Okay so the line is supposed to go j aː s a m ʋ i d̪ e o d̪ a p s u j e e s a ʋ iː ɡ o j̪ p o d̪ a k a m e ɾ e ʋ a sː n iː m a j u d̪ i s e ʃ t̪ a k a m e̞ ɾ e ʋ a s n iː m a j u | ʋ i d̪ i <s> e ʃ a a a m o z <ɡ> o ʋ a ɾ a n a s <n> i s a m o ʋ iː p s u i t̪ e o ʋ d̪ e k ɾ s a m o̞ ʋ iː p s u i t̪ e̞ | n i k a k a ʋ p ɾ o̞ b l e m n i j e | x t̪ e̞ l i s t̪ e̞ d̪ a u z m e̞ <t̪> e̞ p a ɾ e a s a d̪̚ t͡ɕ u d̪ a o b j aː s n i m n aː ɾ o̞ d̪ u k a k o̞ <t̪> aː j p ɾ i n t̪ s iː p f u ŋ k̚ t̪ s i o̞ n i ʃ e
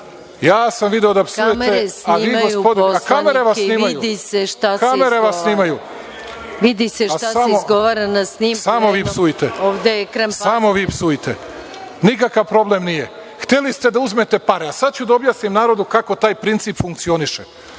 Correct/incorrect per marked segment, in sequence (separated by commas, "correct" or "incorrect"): correct, correct, correct, correct, correct